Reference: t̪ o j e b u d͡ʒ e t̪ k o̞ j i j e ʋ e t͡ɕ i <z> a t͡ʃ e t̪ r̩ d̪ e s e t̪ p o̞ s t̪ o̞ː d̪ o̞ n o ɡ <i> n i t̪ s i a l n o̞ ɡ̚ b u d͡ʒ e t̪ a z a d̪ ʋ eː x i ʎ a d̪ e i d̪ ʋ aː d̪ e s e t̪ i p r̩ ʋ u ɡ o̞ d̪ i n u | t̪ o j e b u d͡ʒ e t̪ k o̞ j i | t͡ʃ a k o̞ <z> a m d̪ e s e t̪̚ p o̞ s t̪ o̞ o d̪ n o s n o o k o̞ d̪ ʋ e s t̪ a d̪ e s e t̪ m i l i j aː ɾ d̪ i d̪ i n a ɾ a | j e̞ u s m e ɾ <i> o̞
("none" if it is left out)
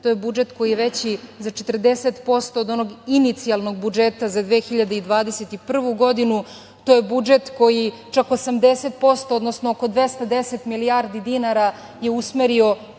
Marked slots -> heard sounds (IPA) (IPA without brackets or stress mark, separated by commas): z, i, s, i